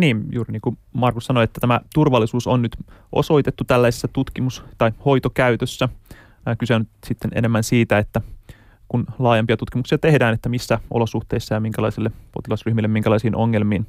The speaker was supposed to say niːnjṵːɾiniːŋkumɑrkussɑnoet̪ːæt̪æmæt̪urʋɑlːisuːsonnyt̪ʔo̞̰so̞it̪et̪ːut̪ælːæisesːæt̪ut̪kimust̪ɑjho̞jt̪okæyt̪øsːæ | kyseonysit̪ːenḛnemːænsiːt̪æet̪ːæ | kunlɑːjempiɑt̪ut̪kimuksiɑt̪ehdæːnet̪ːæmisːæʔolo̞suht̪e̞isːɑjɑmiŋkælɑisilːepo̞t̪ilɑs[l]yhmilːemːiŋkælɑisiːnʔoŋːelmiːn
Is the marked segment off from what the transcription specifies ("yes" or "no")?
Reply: yes